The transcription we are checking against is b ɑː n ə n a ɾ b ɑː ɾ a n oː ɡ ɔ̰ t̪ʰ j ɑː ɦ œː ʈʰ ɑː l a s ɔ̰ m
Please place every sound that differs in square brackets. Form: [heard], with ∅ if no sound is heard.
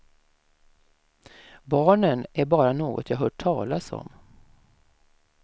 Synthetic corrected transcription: b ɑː [ɳ] ə n [æ] ɾ b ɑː ɾ a n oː ɡ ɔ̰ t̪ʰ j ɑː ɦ œː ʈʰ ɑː l a s ɔ̰ m